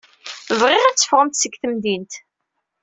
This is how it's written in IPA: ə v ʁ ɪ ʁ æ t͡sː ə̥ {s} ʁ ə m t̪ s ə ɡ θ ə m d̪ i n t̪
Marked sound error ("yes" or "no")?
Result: yes